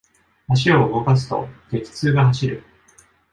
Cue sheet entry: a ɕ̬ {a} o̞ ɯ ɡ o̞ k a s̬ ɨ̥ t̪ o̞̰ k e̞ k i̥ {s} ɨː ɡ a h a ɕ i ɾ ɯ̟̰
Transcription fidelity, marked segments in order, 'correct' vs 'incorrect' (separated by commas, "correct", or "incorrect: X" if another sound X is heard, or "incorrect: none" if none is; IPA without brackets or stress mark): incorrect: i, incorrect: t͡s